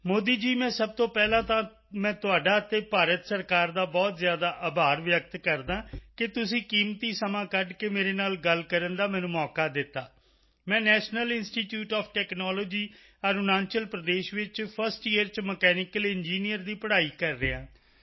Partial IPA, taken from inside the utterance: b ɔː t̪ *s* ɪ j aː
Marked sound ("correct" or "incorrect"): incorrect